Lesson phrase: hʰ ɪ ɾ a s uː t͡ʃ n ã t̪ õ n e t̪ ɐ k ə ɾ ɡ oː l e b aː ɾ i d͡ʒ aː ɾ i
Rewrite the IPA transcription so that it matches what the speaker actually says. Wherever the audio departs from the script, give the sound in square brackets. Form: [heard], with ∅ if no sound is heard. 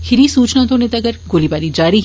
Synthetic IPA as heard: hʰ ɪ ɾ [i] s uː t͡ʃ n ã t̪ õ n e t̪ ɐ [ɡ] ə ɾ ɡ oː l [i] b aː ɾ i d͡ʒ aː ɾ i